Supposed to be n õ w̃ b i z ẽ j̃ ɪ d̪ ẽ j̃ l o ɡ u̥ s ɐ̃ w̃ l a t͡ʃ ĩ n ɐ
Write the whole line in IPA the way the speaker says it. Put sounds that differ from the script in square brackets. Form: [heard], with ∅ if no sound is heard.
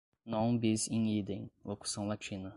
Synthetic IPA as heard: n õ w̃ b i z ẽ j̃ [i] d̪ ẽ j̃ l o [k] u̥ s ɐ̃ w̃ l a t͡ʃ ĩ n ɐ